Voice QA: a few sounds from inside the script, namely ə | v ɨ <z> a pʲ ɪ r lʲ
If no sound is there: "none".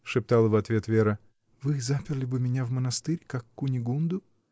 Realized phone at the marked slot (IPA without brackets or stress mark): z